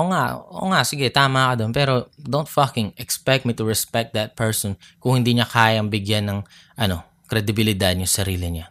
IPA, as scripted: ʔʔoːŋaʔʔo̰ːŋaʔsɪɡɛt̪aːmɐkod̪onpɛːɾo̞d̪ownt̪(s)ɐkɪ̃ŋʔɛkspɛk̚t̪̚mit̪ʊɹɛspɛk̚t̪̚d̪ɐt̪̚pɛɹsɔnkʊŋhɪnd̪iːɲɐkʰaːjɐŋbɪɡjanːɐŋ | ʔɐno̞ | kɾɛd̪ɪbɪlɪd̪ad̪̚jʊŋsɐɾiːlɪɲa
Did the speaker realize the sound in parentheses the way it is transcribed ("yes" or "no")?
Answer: no